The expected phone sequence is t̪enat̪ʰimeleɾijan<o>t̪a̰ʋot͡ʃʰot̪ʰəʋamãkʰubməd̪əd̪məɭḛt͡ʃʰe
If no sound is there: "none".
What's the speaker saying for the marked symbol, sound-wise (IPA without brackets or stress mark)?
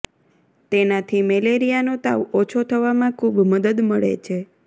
o